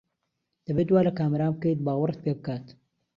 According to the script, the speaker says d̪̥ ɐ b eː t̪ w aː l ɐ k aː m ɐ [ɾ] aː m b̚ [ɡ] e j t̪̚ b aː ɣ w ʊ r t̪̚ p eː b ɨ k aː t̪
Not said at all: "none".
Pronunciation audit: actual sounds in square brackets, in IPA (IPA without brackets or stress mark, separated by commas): ɾ, k